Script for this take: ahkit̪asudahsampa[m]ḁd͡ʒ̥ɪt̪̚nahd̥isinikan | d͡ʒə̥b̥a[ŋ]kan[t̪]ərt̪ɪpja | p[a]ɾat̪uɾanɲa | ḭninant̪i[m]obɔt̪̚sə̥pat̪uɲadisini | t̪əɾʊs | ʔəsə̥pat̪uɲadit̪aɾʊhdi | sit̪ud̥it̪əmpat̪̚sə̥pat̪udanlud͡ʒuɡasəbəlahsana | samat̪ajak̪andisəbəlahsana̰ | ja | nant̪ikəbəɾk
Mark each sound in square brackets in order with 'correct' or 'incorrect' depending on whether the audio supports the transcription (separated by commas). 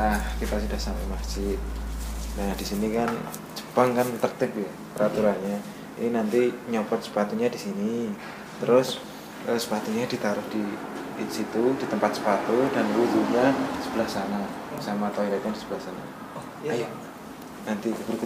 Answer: correct, correct, correct, incorrect, incorrect